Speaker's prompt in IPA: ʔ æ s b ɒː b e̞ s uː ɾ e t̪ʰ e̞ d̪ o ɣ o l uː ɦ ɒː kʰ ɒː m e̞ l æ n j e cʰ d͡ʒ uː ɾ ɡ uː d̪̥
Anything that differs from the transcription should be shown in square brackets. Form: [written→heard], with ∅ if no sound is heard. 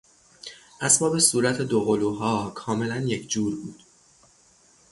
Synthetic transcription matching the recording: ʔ æ s b ɒː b e̞ s uː ɾ [e→æ] t̪ʰ e̞ d̪ o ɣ o l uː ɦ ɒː kʰ ɒː m e̞ l æ n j e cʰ d͡ʒ uː ɾ [ɡ→b] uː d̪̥

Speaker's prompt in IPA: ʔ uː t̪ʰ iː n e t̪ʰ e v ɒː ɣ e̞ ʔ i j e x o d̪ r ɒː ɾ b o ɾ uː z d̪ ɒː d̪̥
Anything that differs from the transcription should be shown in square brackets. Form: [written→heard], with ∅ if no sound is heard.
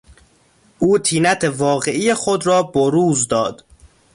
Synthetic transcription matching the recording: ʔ uː t̪ʰ iː n [e→æ] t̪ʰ e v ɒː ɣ e̞ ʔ i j e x o d̪ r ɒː [ɾ→∅] b o ɾ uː z d̪ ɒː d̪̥

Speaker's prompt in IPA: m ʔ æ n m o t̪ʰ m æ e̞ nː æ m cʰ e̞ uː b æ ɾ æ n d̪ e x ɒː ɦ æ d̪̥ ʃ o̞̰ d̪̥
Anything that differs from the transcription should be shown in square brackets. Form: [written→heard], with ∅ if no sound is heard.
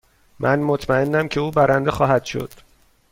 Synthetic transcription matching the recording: m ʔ æ n m o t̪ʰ m æ e̞ nː æ m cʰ e̞ uː b æ ɾ æ n d̪ e x ɒː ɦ æ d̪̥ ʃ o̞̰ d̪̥

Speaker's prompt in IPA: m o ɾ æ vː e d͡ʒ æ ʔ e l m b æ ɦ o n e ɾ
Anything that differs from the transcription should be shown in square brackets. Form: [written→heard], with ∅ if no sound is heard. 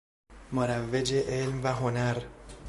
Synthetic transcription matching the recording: m o ɾ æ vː e d͡ʒ [æ→e] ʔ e l m [b→v] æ ɦ o n [e→æ] ɾ

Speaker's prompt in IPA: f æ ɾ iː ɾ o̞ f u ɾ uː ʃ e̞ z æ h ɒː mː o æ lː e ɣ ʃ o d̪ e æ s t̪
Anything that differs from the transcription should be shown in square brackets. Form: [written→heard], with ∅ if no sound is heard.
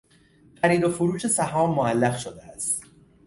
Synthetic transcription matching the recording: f æ ɾ iː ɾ o̞ f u ɾ uː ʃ e̞ [z→s] æ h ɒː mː o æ lː [e→æ] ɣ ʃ o d̪ e æ s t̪

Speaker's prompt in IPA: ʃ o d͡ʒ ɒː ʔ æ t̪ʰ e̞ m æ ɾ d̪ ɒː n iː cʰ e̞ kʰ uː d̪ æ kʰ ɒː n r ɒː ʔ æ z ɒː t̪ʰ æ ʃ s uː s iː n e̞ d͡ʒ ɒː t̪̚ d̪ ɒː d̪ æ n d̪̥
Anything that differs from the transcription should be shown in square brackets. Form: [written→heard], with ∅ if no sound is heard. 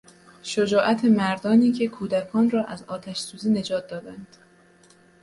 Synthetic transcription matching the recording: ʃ o d͡ʒ ɒː ʔ æ t̪ʰ e̞ m æ ɾ d̪ ɒː n iː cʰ e̞ kʰ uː d̪ æ kʰ ɒː n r ɒː ʔ æ z ɒː t̪ʰ æ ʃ s uː [s→z] iː n e̞ d͡ʒ ɒː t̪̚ d̪ ɒː d̪ æ n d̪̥

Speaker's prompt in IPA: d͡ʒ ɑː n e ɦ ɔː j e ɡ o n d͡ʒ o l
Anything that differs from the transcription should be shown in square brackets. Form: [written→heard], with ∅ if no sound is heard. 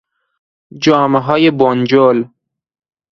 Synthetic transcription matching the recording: d͡ʒ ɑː [n→m] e ɦ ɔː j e [ɡ→b] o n d͡ʒ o l

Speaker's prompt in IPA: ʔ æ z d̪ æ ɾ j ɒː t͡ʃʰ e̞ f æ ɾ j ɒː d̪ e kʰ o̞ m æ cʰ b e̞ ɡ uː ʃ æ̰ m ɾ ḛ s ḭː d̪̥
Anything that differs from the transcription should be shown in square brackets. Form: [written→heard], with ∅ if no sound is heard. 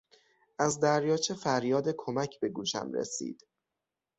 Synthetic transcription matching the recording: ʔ æ z d̪ æ ɾ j ɒː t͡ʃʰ e̞ f æ ɾ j ɒː d̪ e kʰ o̞ m æ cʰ b e̞ ɡ uː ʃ æ̰ m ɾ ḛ s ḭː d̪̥

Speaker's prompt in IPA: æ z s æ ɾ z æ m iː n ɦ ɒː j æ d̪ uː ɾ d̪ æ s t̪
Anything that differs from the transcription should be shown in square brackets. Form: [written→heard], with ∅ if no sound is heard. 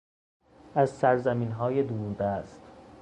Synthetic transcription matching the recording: æ z s æ ɾ z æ m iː n ɦ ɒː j [æ→e] d̪ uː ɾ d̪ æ s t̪

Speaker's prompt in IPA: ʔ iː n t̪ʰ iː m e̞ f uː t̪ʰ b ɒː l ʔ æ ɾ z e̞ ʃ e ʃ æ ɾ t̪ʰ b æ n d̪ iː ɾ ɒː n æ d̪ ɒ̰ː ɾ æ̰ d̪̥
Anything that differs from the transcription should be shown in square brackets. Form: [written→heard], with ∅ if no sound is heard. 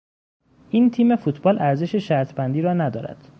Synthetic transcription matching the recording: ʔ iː n t̪ʰ iː m e̞ f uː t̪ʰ b ɒː l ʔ æ ɾ z e̞ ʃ e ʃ æ ɾ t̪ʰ b æ n d̪ iː ɾ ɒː n æ d̪ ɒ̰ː ɾ æ̰ d̪̥

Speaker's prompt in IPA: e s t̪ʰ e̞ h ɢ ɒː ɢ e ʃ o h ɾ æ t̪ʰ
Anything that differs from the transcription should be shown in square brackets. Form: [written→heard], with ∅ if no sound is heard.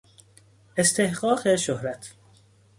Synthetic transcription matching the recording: e s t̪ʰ e̞ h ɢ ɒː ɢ e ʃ o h ɾ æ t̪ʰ

